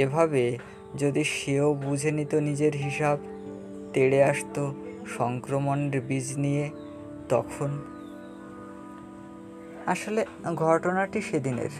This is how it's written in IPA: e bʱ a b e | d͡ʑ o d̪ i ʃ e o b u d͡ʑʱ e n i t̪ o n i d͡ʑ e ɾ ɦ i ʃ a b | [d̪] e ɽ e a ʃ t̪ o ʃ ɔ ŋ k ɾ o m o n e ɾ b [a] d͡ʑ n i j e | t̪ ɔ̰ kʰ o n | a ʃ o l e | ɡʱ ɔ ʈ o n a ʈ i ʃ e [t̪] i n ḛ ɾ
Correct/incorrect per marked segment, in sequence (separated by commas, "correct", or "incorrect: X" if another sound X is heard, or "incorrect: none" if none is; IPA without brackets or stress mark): incorrect: t̪, incorrect: i, incorrect: d̪